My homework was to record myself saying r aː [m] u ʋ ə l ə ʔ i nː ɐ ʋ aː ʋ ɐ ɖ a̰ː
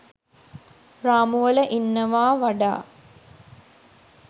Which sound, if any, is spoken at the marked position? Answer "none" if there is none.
m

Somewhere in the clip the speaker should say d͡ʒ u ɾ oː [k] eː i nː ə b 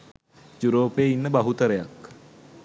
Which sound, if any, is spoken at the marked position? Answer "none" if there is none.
p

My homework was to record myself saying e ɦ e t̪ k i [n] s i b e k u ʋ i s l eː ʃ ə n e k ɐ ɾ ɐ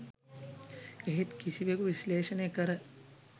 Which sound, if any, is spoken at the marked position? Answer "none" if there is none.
none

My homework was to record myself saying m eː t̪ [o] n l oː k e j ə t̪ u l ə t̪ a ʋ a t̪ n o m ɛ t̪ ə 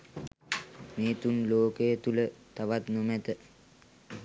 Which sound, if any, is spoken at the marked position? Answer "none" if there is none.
u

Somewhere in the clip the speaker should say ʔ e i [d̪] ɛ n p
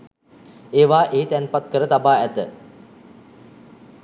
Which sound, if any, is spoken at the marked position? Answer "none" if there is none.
t̪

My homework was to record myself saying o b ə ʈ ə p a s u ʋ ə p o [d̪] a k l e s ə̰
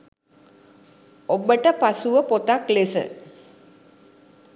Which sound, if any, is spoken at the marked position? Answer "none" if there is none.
t̪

